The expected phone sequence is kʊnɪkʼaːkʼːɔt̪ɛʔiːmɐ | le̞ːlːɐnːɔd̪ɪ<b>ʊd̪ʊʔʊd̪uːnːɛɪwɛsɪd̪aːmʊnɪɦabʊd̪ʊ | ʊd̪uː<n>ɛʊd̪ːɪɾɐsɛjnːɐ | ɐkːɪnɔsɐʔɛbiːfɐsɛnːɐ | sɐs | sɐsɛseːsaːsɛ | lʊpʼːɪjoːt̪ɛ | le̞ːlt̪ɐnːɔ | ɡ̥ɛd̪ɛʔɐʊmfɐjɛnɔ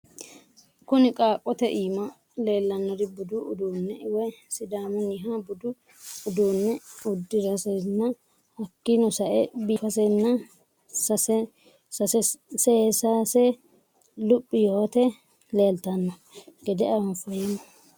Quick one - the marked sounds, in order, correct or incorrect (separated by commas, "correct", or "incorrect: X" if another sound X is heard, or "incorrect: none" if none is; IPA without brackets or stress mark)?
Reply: correct, incorrect: nː